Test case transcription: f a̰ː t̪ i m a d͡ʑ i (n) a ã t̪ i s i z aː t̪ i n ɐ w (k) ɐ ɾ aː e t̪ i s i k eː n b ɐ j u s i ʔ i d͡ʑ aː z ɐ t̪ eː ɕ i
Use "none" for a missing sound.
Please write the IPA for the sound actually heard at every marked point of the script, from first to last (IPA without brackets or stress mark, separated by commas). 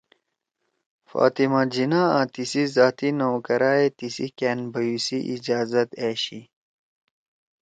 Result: n, k